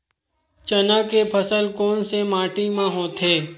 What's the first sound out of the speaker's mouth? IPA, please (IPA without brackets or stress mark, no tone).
t͡ʃ